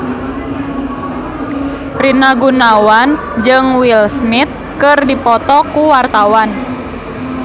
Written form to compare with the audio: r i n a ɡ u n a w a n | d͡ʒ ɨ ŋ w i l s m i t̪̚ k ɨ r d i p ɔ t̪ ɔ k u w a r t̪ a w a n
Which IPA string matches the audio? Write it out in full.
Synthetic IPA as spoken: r i n a ɡ u n a w a n | d͡ʒ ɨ ŋ w i l s n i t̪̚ k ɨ r d i p ɔ t̪ ɔ k u w a r t̪ a w a n

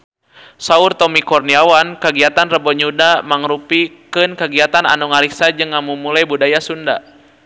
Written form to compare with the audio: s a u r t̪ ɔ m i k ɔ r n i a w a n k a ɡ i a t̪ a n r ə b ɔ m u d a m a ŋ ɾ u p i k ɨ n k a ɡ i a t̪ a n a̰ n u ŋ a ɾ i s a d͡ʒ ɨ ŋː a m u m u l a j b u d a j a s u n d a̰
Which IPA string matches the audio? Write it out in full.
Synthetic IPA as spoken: s a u r t̪ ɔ m i k ɔ r n i a w a n k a ɡ i a t̪ a n r ə b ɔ ɲ u d a m a ŋ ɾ u p i k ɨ n k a ɡ i a t̪ a n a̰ n u ŋ a ɾ i s a d͡ʒ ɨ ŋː a m u m u l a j b u d a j a s u n d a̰

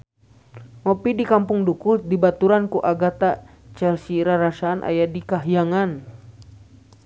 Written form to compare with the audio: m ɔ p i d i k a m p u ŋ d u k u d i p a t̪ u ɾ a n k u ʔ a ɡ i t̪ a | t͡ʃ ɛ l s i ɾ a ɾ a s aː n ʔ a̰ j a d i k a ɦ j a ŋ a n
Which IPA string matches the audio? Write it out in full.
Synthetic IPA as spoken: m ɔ p i d i k a m p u ŋ d u k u d i b a t̪ u ɾ a n k u ʔ a ɡ a t̪ a | t͡ʃ ɛ l s i ɾ a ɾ a s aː n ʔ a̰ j a d i k a ɦ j a ŋ a n

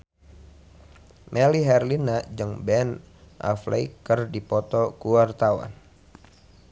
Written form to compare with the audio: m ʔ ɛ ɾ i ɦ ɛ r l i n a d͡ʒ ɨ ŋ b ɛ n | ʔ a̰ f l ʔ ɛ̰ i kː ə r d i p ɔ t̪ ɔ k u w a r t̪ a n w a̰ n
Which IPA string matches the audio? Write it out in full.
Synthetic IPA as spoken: m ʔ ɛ l i ɦ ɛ r l i n a d͡ʒ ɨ ŋ b ɛ n | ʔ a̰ f l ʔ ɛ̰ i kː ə r d i p ɔ t̪ ɔ k u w a r t̪ a w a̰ n

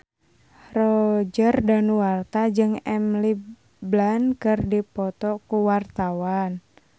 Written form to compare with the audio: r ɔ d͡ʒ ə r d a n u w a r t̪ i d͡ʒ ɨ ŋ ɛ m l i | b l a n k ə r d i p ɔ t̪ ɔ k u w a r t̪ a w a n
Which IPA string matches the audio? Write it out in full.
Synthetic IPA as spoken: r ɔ d͡ʒ ə r d a n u w a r t̪ a d͡ʒ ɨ ŋ ɛ m l i | b l a n k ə r d i p ɔ t̪ ɔ k u w a r t̪ a w a n

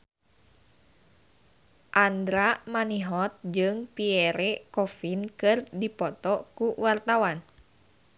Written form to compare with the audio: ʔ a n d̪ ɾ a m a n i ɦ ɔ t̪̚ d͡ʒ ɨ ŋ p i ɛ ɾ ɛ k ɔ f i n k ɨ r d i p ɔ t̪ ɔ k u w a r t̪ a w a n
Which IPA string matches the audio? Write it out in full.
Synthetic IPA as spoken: ʔ a n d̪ ɾ a m a n i ɦ ɔ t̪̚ d͡ʒ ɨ ŋ p i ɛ ɾ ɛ k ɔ f i n k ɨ r d i p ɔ t̪ ɔ k u w a r t̪ a w a n

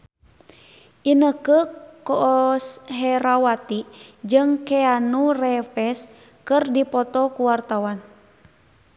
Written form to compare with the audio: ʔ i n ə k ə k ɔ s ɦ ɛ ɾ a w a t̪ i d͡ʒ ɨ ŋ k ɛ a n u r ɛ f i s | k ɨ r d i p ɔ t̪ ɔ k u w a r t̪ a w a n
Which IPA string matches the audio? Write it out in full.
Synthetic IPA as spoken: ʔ i n ə k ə k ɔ s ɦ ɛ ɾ a w a t̪ i d͡ʒ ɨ ŋ k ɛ a n u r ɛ f ɛ s | k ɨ r d i p ɔ t̪ ɔ k u w a r t̪ a w a n

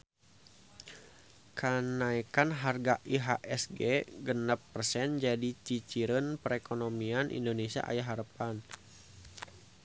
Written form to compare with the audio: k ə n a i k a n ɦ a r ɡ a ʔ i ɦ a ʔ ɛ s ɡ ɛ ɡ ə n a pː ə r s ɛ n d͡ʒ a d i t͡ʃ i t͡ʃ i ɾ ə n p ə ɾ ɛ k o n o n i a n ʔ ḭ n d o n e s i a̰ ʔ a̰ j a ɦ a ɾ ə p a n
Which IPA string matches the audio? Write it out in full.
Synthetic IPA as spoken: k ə n a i k a n ɦ a r ɡ a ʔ i ɦ a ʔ ɛ s ɡ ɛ ɡ ə n a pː ə r s ɛ n d͡ʒ a d i t͡ʃ i t͡ʃ i ɾ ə n p ə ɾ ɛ k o n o m i a n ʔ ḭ n d o n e s i a̰ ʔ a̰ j a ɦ a ɾ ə p a n

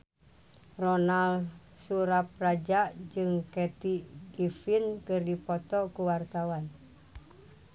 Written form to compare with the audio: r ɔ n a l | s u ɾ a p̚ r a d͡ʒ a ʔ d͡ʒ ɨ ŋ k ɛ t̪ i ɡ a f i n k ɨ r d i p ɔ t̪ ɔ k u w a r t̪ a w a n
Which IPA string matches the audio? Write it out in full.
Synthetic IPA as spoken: r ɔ n a l | s u ɾ a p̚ r a d͡ʒ a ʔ d͡ʒ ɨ ŋ k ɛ t̪ i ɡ i f i n k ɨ r d i p ɔ t̪ ɔ k u w a r t̪ a w a n

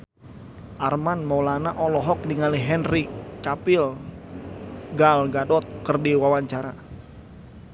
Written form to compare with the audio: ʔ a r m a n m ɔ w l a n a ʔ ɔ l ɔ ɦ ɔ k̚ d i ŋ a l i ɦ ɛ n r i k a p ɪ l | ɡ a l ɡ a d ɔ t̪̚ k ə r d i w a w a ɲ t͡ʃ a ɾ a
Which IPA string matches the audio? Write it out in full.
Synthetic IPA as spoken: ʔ a r m a n m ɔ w l a n a ʔ ɔ l ɔ ɦ ɔ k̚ d i ŋ a l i ɦ ɛ n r i k a p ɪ l | ɡ a l ɡ a d ɔ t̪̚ k ə r d i w a w a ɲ t͡ʃ a ɾ a

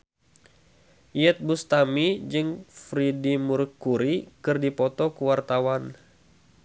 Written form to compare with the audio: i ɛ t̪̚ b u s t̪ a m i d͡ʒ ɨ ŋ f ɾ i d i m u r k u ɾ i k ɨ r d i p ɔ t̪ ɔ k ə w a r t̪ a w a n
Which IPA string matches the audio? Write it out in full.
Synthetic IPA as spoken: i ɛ t̪̚ b u s t̪ a m i d͡ʒ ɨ ŋ f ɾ i d i m u r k u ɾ i k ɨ r d i p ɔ t̪ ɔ k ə w a r t̪ a w a n

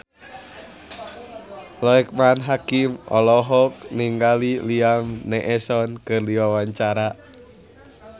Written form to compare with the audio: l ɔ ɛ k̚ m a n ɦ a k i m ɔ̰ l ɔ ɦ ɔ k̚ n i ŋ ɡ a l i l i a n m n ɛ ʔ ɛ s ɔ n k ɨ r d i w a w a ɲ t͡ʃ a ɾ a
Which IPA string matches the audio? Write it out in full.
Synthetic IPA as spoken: l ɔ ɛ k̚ m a n ɦ a k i m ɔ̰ l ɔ ɦ ɔ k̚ n i ŋ ɡ a l i l i a m n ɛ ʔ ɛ s ɔ n k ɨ r d i w a w a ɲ t͡ʃ a ɾ a

